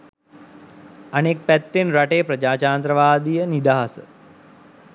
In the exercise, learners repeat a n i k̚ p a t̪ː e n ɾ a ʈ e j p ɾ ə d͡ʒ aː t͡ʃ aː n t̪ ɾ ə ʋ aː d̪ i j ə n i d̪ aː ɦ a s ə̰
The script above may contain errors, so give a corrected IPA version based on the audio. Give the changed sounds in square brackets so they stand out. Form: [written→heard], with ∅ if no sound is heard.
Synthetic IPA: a n [i→e] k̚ p [a→æ] t̪ː e n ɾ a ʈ e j p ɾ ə d͡ʒ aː t͡ʃ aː n t̪ ɾ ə ʋ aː d̪ i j ə n i d̪ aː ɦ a s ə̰